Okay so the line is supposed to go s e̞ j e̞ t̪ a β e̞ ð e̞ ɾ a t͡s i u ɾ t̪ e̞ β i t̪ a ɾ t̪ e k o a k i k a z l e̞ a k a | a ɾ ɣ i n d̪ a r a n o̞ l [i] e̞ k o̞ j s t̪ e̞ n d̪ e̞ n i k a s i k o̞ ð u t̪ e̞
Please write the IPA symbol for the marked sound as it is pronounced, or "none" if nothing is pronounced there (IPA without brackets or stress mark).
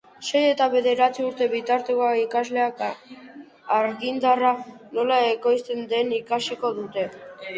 a